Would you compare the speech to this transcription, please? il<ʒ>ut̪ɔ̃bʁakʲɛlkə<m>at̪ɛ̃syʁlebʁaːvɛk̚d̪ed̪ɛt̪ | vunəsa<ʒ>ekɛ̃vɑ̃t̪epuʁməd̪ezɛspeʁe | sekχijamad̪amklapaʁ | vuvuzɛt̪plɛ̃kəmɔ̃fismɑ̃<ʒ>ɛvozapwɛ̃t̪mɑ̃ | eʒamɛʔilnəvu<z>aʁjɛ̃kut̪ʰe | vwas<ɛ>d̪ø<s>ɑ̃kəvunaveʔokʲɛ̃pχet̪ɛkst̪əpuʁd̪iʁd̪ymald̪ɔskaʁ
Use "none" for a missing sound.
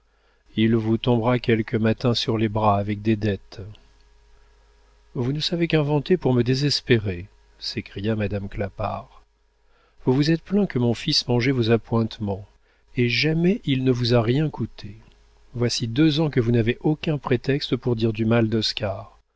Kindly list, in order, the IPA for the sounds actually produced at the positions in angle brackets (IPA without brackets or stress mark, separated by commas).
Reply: v, m, v, ʒ, z, i, z